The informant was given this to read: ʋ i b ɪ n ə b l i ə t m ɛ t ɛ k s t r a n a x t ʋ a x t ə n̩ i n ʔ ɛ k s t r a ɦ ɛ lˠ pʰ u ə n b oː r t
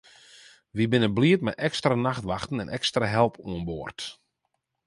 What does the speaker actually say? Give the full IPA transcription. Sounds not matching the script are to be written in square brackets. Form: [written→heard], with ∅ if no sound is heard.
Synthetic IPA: ʋ i b ɪ n ə b l i ə t m ɛ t ɛ k s t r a n a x t ʋ a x t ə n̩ [i→ɛ] n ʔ ɛ k s t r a ɦ ɛ lˠ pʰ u ə n b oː r t